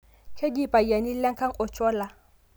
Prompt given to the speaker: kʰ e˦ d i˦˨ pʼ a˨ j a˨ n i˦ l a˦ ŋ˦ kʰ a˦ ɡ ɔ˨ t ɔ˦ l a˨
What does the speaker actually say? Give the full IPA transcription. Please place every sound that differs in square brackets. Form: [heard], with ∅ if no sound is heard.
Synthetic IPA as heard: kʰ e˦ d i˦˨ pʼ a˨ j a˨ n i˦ l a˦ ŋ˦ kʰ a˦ [ŋ] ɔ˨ [t͡ʃ] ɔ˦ l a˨

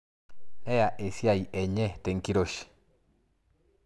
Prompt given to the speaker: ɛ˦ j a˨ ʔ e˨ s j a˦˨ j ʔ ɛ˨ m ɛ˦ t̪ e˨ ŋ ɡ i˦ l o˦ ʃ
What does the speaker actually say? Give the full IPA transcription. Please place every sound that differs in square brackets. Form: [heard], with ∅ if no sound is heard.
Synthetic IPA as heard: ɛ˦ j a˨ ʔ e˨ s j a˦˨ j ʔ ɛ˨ [ɲ] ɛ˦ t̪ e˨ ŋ [k] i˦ [ɾ] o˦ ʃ

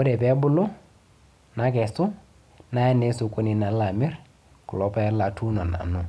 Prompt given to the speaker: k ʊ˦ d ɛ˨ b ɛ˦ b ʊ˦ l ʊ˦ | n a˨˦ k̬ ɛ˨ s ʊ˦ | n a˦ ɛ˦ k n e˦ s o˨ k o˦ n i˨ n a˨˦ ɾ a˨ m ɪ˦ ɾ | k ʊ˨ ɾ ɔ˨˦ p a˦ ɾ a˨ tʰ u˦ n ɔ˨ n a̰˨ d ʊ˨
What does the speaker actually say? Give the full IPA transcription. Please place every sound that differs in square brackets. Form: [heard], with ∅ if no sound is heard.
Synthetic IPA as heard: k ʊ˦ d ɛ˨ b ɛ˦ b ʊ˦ l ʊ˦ | n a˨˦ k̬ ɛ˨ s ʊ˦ | n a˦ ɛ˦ [∅] n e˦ s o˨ k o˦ n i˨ n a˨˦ [l] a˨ m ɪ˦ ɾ | k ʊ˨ [l] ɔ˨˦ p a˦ [l] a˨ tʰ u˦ n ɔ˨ n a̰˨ [n] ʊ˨

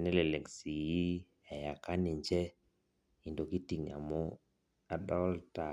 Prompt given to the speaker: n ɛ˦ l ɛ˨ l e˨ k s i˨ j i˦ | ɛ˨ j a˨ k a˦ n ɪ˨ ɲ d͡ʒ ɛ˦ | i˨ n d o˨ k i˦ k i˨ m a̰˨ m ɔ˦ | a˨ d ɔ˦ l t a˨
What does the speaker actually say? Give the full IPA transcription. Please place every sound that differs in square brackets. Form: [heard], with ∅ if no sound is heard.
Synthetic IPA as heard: n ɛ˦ l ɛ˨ l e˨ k s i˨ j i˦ | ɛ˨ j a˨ k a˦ n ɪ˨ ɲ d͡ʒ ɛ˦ | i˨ n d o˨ k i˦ [t] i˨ [ŋ] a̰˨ m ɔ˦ | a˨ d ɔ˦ l t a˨

